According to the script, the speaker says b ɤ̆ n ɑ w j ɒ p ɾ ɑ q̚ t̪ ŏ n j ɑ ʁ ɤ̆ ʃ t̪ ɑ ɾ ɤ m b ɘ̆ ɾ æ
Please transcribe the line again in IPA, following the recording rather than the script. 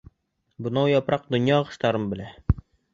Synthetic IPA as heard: b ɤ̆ n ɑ w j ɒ p ɾ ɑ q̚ d̪ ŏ n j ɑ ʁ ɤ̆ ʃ t̪ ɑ ɾ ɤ m b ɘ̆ l æ